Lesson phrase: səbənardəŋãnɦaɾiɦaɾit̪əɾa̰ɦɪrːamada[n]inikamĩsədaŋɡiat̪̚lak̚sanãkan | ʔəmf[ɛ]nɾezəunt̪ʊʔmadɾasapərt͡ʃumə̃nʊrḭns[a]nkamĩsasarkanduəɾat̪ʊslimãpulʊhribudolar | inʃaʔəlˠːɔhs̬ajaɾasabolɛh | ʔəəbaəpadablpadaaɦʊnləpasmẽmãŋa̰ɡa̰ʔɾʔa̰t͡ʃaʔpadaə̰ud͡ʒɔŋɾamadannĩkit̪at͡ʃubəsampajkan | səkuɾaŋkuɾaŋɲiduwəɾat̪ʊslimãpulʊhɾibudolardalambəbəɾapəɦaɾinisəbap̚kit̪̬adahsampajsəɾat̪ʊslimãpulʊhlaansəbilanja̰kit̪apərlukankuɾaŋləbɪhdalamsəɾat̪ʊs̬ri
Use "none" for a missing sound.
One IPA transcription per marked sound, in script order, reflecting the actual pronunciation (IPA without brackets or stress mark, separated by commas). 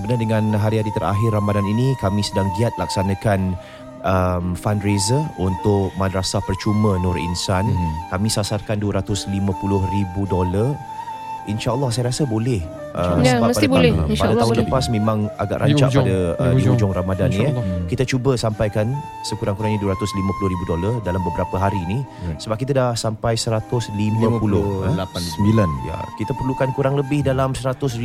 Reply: n, a, a